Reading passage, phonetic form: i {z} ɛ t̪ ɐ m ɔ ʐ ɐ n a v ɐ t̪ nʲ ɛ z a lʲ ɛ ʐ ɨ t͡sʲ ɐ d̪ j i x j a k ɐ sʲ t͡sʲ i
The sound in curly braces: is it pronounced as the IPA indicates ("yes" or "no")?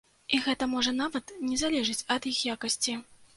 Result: no